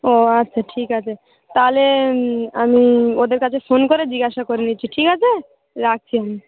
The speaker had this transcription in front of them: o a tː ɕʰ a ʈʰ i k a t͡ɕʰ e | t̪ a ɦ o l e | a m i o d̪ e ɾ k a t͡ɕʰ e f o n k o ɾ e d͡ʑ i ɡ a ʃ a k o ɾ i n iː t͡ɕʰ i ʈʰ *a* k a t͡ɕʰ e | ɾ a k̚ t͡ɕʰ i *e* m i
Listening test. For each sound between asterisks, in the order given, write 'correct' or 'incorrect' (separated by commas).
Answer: incorrect, incorrect